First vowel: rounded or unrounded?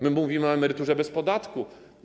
unrounded